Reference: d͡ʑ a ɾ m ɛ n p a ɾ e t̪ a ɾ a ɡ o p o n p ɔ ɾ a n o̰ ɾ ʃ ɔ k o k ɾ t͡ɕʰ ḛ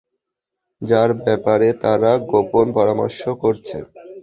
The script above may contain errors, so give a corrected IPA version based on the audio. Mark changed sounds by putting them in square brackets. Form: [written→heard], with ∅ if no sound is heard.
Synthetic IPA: d͡ʑ a ɾ [m→b] ɛ [n→∅] p a ɾ e t̪ a ɾ a ɡ o p o n p ɔ ɾ a [n→m] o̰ ɾ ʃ [ɔ→o] k o [k→∅] ɾ t͡ɕʰ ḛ